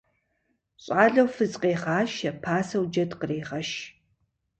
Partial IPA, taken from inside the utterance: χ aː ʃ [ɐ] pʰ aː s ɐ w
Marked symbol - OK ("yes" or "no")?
yes